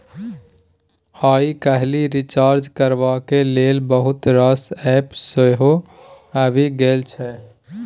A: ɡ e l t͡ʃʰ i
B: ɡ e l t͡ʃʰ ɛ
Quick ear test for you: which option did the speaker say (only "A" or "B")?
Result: B